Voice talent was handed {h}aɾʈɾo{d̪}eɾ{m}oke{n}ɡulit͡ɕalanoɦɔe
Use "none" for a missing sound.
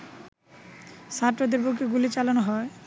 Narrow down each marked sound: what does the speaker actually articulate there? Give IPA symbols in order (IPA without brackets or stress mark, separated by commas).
s, d̪, b, none